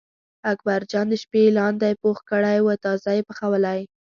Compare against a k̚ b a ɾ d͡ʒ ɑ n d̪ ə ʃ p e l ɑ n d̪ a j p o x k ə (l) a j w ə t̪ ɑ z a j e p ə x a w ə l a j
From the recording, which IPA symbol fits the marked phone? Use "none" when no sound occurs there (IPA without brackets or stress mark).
ɽ